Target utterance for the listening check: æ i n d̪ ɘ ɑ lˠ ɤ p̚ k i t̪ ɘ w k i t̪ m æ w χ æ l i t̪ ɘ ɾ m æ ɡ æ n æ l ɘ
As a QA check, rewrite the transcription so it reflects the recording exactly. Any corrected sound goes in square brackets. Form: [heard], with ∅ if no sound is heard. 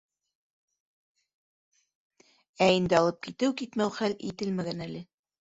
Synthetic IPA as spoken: æ i n d̪ ɘ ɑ lˠ ɤ p̚ k i t̪ ɘ w k i t̪ m æ w χ æ l i t̪ ɘ [l] m æ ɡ æ n æ l ɘ